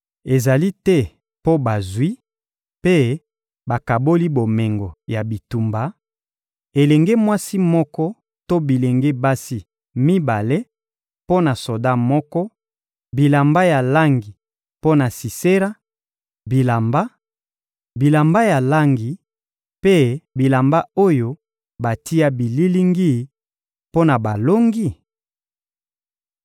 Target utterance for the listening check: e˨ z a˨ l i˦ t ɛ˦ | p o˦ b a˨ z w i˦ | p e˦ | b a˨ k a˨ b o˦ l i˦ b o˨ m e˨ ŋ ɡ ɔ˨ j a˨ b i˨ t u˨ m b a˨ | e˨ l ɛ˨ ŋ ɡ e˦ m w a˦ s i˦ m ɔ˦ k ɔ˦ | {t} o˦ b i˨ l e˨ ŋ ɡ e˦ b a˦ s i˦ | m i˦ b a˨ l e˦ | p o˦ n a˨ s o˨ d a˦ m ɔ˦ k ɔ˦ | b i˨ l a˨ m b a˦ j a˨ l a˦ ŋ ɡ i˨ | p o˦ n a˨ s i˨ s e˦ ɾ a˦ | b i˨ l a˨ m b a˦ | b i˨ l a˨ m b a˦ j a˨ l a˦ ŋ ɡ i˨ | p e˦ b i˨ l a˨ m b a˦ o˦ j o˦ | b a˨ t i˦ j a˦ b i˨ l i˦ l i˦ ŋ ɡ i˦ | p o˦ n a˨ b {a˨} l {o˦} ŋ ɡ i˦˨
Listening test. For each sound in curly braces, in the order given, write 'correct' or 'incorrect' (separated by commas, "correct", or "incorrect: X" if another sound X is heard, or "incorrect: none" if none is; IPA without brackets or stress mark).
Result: correct, correct, correct